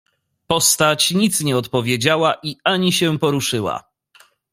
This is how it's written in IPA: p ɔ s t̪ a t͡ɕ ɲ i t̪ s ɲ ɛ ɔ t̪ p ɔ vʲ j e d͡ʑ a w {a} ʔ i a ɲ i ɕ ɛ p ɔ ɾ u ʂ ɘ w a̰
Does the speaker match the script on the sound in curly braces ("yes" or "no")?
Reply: yes